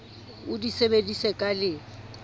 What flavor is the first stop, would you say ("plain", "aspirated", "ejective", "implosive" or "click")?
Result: plain